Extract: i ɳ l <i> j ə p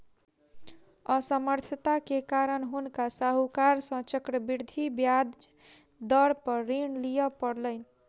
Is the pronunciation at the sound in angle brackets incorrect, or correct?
correct